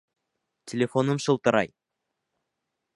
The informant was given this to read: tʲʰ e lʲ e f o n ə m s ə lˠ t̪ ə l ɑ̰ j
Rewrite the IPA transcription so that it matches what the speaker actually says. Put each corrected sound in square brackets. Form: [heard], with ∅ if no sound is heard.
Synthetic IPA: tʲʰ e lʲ e f o n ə m [ʃ] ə lˠ t̪ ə [ɾ] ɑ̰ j

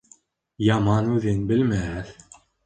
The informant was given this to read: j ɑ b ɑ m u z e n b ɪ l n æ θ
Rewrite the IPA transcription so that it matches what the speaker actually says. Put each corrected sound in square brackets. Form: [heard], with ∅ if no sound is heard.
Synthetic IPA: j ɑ [m] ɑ [n] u [ð] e n b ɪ l [m] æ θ

